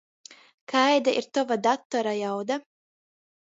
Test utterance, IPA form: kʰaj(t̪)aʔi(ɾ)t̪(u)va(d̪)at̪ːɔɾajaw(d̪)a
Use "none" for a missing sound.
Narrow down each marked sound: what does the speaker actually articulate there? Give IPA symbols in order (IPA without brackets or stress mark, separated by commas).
d̪, ɾ, ɔ, d̪, d̪